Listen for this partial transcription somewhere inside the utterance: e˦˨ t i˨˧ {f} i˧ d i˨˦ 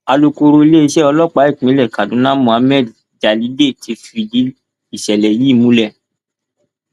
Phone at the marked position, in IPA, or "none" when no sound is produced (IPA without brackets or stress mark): f